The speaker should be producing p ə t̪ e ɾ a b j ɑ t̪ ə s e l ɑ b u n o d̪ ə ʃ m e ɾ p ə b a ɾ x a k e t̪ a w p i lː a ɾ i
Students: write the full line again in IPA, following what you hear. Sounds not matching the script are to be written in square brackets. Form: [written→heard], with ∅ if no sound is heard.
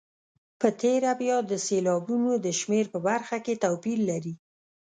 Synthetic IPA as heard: p ə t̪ e ɾ a b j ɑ [t̪→d̪] ə s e l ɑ b u n o d̪ ə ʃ m e ɾ p ə b a ɾ x a k e t̪ a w p i lː a ɾ i